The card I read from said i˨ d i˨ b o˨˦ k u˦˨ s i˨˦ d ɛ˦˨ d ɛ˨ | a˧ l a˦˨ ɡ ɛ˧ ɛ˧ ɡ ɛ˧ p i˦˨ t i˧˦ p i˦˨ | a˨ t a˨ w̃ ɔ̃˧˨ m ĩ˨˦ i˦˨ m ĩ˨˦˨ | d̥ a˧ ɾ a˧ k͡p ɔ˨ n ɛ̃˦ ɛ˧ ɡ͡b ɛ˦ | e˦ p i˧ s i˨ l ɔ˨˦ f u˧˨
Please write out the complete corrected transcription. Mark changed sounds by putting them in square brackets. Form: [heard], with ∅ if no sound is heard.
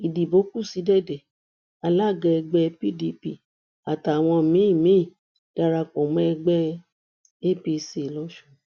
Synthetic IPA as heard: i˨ d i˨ b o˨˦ k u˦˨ s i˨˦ d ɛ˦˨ d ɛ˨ | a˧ l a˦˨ ɡ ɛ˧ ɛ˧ [ɡ͡b] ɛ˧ p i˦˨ [d] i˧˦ p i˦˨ | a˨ t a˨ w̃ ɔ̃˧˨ m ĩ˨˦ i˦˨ m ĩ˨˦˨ | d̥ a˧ ɾ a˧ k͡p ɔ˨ [m] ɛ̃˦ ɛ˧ ɡ͡b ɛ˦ | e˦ p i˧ s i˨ l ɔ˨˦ [ʃ] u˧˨